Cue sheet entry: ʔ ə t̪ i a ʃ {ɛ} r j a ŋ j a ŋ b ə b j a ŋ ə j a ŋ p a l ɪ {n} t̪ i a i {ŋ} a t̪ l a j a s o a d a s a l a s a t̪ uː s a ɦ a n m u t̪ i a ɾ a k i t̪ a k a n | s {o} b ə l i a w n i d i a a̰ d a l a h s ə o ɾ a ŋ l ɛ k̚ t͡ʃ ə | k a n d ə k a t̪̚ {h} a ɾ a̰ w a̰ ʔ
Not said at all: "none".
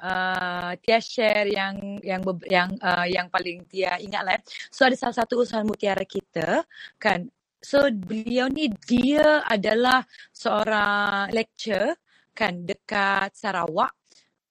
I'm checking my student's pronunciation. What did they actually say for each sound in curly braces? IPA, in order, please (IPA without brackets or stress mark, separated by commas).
ɛ, ŋ, ŋ, o, s